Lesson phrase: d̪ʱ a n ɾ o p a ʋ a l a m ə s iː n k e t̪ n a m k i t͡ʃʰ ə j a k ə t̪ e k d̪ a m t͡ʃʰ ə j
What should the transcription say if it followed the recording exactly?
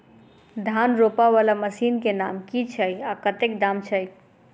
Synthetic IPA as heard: d̪ʱ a n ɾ o p a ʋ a l a m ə s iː n k e n a m k i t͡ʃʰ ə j a k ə t̪ e k d̪ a m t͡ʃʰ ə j